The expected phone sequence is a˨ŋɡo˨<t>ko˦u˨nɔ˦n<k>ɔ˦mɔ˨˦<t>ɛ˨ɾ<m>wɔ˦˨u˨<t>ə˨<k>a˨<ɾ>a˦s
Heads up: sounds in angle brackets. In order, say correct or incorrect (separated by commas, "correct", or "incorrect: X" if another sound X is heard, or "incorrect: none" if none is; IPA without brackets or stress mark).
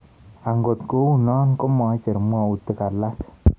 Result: correct, correct, incorrect: t͡ʃ, correct, correct, correct, incorrect: l